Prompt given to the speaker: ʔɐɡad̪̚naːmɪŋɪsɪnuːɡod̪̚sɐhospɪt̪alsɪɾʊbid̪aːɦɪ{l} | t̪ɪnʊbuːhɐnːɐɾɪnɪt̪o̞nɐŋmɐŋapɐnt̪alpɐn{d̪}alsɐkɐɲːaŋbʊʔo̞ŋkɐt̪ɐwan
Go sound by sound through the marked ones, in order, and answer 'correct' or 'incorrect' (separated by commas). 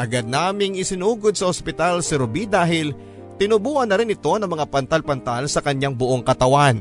correct, incorrect